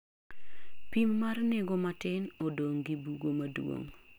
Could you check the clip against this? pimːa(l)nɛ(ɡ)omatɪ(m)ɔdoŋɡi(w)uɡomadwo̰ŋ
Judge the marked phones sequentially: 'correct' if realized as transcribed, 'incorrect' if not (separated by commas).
incorrect, correct, incorrect, incorrect